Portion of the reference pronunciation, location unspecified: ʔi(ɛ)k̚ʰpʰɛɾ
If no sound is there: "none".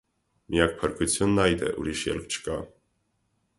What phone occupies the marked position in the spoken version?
a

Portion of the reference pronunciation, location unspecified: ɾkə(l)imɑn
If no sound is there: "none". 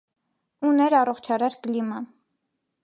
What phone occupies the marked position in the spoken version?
l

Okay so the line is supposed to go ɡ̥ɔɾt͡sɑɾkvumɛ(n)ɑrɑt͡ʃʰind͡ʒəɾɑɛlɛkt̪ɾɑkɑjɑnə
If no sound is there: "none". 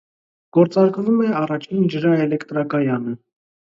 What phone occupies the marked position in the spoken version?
none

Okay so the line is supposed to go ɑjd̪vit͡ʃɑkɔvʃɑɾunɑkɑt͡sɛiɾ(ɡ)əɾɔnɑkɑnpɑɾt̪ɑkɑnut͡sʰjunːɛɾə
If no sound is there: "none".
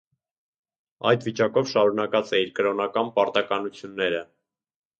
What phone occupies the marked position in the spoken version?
k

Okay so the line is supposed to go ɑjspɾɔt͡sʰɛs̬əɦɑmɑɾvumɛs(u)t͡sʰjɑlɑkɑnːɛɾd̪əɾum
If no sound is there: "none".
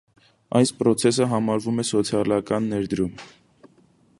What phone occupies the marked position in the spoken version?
ɔ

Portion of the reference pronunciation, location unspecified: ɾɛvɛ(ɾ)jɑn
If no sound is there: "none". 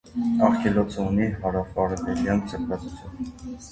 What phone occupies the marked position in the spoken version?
l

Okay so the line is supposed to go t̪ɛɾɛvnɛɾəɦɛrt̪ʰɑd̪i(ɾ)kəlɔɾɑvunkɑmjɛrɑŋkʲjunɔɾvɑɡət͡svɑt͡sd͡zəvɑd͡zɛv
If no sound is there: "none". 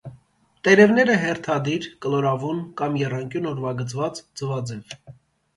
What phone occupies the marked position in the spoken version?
ɾ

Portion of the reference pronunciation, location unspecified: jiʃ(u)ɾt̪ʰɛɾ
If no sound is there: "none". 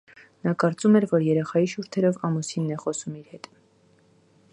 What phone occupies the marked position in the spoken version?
u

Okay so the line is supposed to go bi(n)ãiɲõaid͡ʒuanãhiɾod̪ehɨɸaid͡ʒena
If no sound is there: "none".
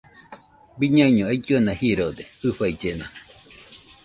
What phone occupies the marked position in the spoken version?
ɲ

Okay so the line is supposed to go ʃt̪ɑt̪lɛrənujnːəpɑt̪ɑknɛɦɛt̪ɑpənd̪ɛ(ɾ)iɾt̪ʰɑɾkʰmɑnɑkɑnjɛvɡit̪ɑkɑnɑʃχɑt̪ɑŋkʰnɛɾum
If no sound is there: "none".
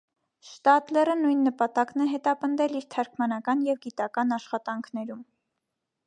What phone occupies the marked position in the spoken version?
l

